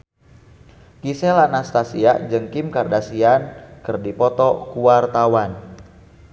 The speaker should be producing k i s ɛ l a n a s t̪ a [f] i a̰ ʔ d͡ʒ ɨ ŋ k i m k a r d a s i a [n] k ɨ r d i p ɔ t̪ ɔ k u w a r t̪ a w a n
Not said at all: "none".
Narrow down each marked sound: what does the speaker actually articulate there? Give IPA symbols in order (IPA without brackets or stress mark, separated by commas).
s, n